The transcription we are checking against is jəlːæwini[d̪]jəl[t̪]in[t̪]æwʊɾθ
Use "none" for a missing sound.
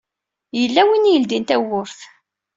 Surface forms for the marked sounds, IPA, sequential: none, d̪, t̪

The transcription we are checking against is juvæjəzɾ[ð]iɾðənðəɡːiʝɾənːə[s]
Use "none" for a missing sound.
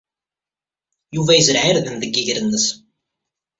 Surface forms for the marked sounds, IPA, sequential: ʕ, s

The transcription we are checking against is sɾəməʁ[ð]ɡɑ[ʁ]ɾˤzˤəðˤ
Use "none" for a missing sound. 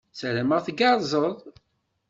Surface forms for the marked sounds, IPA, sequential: θ, none

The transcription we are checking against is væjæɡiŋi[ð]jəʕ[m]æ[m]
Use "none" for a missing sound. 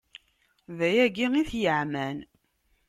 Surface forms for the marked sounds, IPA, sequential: θ, m, n

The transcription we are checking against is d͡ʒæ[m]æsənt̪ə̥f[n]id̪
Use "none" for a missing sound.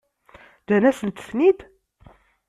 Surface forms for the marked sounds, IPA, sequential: n, n

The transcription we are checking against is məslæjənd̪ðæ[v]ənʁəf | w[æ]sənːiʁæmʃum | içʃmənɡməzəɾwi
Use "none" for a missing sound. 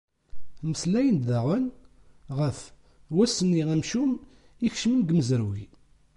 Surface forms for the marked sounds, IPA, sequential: ʁ, æ

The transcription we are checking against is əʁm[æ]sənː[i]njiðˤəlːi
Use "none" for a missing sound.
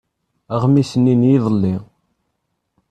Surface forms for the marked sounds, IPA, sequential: i, i

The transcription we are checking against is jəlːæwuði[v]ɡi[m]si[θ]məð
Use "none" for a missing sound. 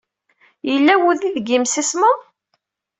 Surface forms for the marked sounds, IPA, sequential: ð, m, s

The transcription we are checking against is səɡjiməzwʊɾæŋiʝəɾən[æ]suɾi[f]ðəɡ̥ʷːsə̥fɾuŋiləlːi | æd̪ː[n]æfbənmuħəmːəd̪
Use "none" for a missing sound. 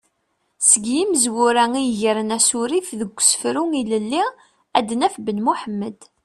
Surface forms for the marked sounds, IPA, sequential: æ, f, n

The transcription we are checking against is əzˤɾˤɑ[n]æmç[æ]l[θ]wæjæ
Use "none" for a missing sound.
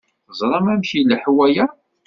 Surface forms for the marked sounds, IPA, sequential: m, i, ħ

